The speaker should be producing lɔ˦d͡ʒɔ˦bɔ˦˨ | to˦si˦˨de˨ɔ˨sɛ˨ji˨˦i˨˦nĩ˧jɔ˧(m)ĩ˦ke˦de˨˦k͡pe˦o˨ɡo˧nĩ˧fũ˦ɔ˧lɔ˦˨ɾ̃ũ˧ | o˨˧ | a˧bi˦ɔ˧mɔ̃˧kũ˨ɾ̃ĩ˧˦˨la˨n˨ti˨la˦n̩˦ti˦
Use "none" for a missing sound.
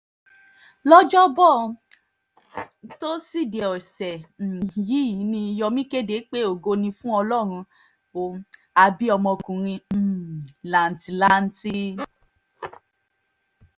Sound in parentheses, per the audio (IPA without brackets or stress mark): m